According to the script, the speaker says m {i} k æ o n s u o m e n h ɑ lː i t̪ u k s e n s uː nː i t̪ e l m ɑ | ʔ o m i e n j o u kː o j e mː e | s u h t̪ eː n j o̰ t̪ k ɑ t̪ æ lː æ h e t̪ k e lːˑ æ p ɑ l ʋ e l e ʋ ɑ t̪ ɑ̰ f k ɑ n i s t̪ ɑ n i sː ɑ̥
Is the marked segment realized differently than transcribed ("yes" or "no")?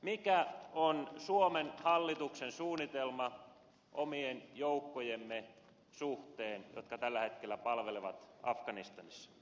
no